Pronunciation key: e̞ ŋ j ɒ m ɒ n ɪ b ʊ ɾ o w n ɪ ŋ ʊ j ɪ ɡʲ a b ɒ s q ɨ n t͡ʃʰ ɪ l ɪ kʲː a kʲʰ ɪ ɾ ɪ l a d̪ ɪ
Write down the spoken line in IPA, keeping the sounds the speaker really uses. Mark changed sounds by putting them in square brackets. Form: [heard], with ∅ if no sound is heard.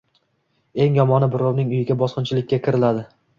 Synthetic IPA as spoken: e̞ ŋ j ɒ m ɒ n ɪ b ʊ ɾ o w n ɪ ŋ ʊ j ɪ ɡʲ a b ɒ s q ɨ n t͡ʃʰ ɪ l ɪ kʲː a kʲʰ ɪ ɾ ɪ l a d̪ ɪ